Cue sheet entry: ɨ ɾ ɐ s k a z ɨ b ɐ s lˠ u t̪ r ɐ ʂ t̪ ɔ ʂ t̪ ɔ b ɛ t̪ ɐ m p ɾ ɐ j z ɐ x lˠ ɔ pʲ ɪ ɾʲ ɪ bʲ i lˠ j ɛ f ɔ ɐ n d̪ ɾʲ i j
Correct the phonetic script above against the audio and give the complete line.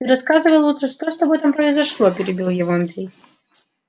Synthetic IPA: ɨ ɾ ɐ s k a z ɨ v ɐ lˠ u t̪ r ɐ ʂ t̪ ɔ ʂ t̪ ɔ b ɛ t̪ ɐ m p ɾ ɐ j z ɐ ʂ lˠ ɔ pʲ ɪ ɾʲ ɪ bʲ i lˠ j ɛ v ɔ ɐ n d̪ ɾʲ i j